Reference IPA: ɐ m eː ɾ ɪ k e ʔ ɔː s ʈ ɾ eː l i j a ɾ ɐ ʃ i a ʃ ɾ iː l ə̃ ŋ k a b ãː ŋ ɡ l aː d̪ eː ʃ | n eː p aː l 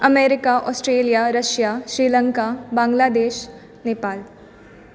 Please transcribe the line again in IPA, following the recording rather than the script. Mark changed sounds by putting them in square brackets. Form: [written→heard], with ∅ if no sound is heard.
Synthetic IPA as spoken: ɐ m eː ɾ ɪ k [e→a] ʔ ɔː s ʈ ɾ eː l i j a ɾ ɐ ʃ [i→j] a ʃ ɾ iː l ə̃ ŋ k a b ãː ŋ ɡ l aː d̪ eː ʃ | n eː p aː l